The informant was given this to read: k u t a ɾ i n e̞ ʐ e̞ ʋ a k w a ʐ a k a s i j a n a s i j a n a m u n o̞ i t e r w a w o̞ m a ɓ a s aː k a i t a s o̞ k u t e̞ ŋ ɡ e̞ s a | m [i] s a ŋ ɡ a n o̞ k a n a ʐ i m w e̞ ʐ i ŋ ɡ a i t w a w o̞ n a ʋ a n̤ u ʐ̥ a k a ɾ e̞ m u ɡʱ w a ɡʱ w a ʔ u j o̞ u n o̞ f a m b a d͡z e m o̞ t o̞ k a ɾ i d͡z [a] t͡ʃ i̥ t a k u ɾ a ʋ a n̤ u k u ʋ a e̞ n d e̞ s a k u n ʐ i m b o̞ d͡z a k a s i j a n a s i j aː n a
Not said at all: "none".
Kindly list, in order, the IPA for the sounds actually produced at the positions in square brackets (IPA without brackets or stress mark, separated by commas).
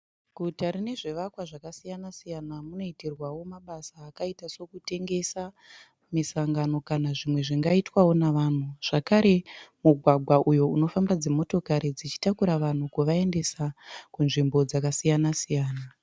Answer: i, i